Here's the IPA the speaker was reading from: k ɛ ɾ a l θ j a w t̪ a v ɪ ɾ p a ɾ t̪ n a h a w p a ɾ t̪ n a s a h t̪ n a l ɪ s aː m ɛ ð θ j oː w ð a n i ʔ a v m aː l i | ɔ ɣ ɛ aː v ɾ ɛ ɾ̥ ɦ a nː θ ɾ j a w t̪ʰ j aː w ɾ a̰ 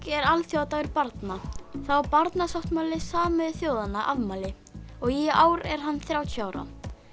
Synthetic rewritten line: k ɛ ɾ a l θ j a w t̪ a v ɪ ɾ p a ɾ t̪ n a θ a w p a ɾ t̪ n a s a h t̪ m a l ɪ s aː m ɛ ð θ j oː w ð a n a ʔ a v m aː l ɪ | ɔ ɣ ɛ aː w ɾ ɛ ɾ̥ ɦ a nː θ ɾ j a w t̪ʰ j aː w ɾ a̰